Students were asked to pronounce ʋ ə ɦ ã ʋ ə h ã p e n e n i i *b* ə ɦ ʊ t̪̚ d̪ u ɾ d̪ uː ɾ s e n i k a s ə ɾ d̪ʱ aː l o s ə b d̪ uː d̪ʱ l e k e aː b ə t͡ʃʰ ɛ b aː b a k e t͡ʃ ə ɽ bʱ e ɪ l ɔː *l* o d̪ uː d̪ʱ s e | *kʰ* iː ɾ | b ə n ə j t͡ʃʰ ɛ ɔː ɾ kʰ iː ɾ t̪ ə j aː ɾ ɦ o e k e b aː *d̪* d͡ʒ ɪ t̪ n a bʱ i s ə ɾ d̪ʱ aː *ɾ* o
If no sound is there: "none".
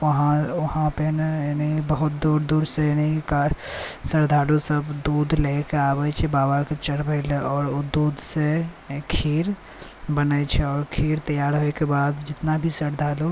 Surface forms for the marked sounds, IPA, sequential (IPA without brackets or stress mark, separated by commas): b, ɾ, kʰ, d̪, l